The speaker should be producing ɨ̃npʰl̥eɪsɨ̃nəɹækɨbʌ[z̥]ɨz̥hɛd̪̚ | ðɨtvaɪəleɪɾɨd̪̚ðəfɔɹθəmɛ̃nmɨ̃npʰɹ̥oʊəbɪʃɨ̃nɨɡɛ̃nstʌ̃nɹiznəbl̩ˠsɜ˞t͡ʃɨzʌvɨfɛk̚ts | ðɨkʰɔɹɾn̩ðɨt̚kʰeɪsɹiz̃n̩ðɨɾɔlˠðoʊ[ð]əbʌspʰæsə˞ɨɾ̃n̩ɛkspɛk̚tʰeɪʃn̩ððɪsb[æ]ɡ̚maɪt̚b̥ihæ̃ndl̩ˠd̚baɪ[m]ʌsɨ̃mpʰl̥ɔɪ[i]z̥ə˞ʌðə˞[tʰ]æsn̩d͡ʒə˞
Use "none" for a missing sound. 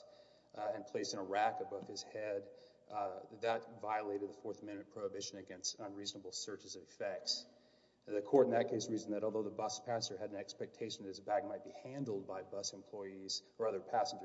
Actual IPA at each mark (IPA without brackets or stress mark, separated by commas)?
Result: v̥, ð, æ, b, i, pʰ